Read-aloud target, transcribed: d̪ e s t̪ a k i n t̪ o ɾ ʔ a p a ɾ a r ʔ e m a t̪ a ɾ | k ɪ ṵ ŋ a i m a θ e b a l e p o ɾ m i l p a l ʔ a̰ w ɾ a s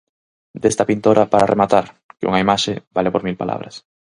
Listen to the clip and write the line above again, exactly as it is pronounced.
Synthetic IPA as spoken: d̪ e s t̪ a p i n t̪ o ɾ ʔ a p a ɾ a r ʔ e m a t̪ a ɾ | k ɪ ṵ ŋ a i m a ʃ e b a l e p o ɾ m i l p a l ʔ a̰ β ɾ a s